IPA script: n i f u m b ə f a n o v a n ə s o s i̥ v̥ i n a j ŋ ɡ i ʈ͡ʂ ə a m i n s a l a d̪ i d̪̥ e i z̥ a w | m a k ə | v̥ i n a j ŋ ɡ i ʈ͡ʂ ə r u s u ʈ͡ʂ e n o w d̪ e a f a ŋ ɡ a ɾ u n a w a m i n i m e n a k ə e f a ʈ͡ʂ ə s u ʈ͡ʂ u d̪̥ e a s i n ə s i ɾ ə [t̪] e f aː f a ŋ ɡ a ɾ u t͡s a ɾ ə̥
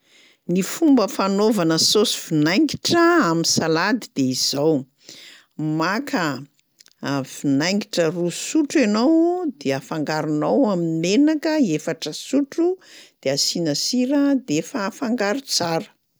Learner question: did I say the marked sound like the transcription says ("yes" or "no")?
no